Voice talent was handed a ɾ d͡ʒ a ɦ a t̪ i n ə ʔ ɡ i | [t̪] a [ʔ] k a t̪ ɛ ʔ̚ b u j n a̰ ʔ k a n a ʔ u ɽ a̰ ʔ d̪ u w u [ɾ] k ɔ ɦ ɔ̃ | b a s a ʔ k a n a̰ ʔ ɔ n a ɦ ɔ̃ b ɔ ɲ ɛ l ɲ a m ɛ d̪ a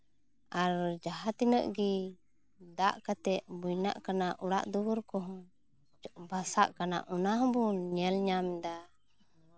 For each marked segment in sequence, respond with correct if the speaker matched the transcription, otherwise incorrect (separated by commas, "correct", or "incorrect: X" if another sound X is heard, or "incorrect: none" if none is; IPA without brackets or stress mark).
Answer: incorrect: d̪, correct, correct